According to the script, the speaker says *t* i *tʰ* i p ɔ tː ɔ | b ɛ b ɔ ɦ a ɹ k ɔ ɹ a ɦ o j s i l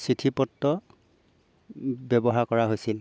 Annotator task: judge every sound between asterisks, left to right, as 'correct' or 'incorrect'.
incorrect: s, correct

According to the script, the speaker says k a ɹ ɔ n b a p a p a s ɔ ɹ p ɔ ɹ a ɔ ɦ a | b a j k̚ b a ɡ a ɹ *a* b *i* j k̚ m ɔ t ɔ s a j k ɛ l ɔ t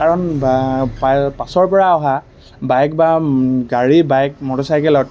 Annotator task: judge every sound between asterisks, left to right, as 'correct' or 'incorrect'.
incorrect: i, incorrect: a

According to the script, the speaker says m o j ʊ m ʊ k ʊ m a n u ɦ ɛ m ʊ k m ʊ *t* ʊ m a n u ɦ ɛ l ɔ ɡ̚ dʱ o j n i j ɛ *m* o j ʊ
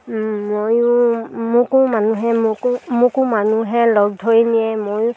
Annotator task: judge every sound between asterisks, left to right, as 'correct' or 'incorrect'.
incorrect: k, correct

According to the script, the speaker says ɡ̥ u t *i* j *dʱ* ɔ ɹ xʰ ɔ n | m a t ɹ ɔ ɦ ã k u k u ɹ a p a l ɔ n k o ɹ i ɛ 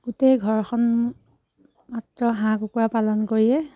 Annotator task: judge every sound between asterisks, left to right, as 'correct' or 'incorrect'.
incorrect: e, incorrect: ɡʱ

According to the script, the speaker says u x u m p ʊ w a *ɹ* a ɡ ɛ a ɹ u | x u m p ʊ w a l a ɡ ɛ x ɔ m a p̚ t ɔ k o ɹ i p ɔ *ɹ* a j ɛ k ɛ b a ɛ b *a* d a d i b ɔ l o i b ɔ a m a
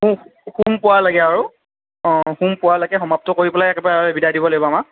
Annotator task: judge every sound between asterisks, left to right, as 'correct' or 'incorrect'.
incorrect: l, incorrect: l, incorrect: i

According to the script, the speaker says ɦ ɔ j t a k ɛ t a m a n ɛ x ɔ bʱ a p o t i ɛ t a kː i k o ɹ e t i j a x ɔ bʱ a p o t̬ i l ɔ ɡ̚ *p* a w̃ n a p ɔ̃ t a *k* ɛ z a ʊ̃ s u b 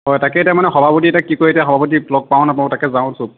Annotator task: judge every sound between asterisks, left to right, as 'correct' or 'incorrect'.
correct, correct

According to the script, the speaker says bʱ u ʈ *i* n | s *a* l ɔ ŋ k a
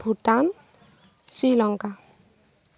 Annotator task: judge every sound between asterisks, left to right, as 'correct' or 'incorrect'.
incorrect: a, incorrect: i

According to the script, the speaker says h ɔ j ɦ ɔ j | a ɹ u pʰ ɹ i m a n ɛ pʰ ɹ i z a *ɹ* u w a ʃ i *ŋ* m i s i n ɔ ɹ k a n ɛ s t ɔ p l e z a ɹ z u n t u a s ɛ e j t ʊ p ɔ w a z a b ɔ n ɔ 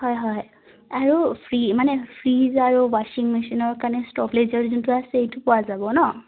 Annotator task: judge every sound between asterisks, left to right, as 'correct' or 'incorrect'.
correct, correct

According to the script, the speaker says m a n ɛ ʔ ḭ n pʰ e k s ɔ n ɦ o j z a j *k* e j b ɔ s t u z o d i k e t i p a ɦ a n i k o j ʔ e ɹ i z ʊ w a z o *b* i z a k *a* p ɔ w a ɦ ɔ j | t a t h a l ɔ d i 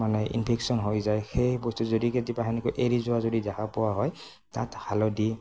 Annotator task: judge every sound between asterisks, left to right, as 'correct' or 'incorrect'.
incorrect: x, incorrect: d, correct

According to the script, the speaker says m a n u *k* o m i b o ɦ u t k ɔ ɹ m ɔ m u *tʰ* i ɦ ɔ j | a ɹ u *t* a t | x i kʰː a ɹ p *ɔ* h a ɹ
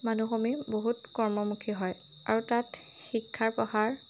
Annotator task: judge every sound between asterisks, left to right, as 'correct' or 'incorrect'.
incorrect: x, incorrect: kʰ, correct, correct

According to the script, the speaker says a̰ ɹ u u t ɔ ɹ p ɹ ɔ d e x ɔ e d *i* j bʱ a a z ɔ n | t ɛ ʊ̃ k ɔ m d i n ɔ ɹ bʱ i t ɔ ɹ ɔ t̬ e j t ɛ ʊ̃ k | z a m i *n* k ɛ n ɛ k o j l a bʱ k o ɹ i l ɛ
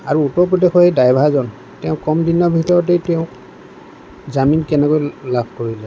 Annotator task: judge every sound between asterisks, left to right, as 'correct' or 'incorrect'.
incorrect: a, correct

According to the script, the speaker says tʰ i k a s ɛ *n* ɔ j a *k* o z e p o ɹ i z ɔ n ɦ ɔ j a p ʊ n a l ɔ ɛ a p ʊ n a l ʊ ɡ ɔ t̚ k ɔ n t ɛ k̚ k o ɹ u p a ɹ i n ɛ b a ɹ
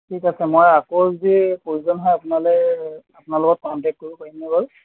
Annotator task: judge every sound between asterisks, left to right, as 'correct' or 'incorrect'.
incorrect: m, correct

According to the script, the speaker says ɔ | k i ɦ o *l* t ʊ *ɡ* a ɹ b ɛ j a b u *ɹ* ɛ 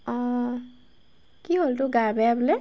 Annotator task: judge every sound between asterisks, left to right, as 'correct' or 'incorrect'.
correct, correct, incorrect: l

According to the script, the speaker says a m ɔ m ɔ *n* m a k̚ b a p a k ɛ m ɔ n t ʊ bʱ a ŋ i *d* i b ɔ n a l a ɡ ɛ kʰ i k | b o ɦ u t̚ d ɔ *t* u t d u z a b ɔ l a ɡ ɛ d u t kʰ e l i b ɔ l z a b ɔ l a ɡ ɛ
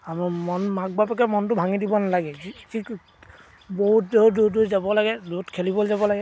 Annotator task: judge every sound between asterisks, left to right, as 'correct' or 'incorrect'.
correct, correct, incorrect: d

